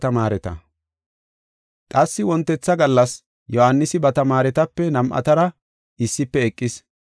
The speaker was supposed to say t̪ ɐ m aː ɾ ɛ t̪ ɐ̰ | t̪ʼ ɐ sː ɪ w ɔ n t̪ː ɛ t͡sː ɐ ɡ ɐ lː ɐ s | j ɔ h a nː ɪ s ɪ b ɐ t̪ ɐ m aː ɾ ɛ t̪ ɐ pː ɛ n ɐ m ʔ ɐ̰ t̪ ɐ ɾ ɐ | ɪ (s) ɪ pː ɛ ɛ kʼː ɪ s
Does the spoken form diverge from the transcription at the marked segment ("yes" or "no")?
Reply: yes